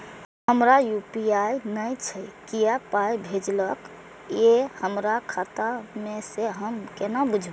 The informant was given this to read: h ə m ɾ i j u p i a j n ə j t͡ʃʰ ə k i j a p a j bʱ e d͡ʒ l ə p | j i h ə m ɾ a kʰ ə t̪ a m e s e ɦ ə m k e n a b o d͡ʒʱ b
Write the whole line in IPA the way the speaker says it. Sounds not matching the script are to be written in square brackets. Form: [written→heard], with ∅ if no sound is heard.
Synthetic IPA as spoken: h ə m ɾ [i→a] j u p i a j n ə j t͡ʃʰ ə k i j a p a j bʱ e d͡ʒ l ə [p→k] | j [i→e] h ə m ɾ a kʰ [ə→a] t̪ a m e s e ɦ ə m k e n a b [o→u] d͡ʒʱ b